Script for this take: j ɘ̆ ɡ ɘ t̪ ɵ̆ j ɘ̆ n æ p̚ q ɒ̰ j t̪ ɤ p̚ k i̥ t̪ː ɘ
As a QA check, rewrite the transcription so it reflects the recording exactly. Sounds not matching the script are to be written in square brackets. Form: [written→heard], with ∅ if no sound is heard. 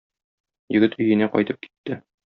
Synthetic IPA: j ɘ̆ ɡ ɘ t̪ ɵ̆ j ɘ̆ n æ [p̚→∅] q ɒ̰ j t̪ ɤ p̚ k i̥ t̪ː ɘ